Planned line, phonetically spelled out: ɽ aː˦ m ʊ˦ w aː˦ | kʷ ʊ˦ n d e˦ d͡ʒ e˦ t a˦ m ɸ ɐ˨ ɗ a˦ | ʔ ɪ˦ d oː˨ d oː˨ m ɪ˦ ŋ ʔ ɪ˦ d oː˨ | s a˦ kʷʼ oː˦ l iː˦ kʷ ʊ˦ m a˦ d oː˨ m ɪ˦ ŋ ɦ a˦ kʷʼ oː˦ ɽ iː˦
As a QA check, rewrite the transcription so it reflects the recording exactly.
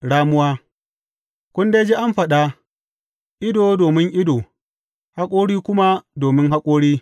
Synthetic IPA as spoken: ɽ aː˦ m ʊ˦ w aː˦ | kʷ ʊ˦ n d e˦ d͡ʒ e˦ ʔ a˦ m ɸ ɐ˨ ɗ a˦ | ʔ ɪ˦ d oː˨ d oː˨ m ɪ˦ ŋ ʔ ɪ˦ d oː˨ | h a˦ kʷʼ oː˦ ɽ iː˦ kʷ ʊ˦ m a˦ d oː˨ m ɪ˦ ŋ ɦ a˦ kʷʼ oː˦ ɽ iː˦